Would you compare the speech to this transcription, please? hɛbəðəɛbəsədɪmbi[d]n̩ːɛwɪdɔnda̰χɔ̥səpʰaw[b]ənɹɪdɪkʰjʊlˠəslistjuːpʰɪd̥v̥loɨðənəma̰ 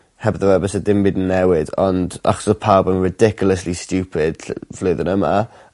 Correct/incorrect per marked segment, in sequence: correct, correct

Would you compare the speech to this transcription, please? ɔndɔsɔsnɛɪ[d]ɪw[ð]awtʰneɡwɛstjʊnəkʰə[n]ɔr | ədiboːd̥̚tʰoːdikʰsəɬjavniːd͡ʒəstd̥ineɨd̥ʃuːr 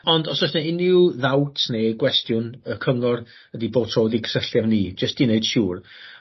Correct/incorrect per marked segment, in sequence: incorrect: n, correct, incorrect: ŋ

